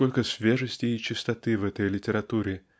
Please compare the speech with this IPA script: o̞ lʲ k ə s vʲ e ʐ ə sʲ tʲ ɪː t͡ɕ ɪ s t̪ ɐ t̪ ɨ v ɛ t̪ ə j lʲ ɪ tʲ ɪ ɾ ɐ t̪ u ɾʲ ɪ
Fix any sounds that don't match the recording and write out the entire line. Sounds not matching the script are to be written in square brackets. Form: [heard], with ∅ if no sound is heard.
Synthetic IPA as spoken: o̞ lʲ k ə s vʲ e ʐ ə sʲ tʲ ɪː t͡ɕ ɪ s t̪ ɐ t̪ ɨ v ɛ t̪ ə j lʲ ɪ tʲ ɪ ɾ ɐ t̪ u ɾʲ ɪ